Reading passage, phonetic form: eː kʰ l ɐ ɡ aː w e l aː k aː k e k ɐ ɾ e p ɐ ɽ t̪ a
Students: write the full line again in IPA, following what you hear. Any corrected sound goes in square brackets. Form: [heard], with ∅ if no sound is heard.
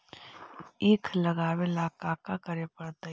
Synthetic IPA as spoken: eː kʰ l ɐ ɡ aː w e l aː k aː k [a] k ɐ ɾ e p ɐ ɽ t̪ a

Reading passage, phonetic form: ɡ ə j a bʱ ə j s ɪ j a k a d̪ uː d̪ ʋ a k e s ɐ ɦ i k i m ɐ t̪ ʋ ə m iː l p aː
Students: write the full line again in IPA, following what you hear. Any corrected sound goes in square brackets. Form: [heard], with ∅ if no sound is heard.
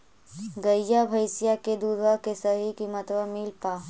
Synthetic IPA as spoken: ɡ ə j a bʱ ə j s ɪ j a k [e] d̪ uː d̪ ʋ a k e s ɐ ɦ i k i m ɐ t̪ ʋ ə m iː l p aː

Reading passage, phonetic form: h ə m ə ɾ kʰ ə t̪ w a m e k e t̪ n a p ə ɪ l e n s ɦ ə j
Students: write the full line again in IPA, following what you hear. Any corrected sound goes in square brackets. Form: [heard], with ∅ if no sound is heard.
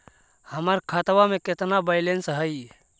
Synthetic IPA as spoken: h ə m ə ɾ kʰ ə t̪ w a m e k e t̪ n a [b] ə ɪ l e n s ɦ ə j

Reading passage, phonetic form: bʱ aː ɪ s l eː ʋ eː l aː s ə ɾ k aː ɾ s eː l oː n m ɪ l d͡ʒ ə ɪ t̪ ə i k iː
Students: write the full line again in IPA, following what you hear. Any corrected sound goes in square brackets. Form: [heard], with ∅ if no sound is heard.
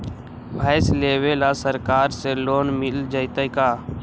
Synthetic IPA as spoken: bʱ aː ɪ s l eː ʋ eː l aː s ə ɾ k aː ɾ s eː l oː n m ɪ l d͡ʒ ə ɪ t̪ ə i k [aː]

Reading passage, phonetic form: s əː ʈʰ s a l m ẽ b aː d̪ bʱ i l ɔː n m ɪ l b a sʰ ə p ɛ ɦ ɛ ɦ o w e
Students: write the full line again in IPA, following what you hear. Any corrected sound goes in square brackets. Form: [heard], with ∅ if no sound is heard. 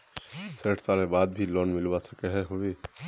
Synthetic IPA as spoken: s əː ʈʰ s a l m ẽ b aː d̪ bʱ i l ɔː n m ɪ l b a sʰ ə [k] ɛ ɦ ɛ ɦ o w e

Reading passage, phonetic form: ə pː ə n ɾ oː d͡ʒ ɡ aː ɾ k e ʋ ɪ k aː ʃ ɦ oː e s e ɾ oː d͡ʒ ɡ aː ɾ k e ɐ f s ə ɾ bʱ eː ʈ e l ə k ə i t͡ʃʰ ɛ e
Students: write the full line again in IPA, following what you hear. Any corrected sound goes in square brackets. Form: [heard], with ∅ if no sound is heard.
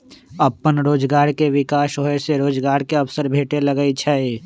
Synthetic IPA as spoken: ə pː ə n ɾ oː d͡ʒ ɡ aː ɾ k e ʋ ɪ k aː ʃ ɦ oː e s e ɾ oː d͡ʒ ɡ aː ɾ k e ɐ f s ə ɾ bʱ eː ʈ e l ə [ɡ] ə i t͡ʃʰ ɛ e

